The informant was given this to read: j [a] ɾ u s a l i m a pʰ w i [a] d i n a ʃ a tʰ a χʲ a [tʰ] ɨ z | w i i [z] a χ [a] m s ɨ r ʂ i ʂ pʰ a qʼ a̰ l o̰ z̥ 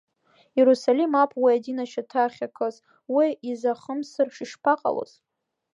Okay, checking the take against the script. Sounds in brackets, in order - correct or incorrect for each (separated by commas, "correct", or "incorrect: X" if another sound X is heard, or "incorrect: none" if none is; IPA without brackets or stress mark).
incorrect: e, correct, incorrect: kʰ, correct, incorrect: ə